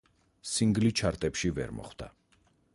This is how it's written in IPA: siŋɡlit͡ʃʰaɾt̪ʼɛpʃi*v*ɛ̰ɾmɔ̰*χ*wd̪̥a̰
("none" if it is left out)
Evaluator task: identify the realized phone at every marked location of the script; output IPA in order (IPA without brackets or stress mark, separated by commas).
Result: v, χ